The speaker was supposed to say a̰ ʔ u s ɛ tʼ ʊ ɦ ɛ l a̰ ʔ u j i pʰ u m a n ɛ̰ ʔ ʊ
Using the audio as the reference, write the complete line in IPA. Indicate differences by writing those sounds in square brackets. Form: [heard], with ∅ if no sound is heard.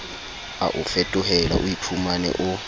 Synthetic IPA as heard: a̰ ʔ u [f] ɛ tʼ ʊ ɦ ɛ l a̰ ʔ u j i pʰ u m a n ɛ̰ ʔ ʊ